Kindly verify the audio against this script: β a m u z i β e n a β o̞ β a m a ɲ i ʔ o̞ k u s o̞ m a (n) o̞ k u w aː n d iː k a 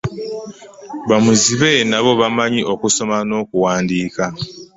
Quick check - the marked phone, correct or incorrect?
correct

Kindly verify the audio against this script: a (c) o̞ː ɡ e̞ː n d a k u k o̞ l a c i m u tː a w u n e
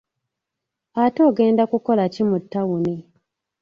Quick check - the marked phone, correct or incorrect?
incorrect: t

